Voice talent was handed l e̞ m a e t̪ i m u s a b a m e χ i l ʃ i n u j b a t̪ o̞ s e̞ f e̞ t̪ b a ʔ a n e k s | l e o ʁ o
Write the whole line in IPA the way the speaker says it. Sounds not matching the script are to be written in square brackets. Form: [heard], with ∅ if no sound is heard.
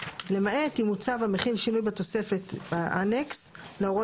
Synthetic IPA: l e̞ m a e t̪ i m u [t͡s] a [v] a m e χ i l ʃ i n u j b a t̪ o̞ s e̞ f e̞ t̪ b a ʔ a n e k s | l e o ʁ o